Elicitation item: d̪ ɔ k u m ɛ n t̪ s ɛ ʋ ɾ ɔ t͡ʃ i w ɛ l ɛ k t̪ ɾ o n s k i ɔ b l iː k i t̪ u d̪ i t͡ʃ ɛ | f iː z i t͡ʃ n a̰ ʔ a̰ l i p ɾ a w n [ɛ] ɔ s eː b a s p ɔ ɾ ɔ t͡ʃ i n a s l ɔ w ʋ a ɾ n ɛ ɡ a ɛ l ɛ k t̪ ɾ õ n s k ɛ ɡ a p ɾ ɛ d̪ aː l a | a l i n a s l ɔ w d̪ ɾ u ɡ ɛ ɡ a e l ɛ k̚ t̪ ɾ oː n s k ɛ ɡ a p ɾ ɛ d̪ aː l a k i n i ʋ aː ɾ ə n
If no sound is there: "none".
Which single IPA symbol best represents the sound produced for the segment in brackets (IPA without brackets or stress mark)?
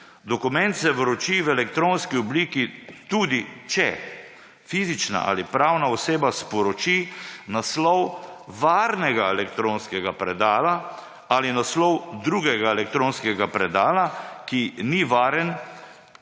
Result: a